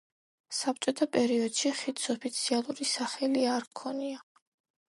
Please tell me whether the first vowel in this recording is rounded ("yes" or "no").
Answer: no